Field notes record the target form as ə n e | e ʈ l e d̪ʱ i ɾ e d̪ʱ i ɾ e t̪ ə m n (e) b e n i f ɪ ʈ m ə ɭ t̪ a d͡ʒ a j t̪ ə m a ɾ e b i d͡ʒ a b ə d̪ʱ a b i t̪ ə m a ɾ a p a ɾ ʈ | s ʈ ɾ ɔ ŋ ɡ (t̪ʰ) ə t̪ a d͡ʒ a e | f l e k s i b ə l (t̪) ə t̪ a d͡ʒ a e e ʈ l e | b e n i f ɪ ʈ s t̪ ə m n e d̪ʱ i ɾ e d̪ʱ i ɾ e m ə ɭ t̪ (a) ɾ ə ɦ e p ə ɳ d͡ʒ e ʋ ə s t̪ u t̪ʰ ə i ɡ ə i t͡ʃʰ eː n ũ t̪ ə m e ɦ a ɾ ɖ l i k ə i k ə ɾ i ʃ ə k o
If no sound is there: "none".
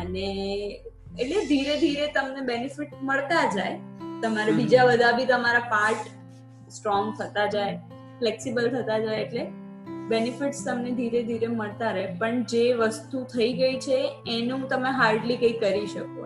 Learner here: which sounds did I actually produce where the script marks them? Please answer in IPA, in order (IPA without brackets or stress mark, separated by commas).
e, t̪ʰ, t̪ʰ, a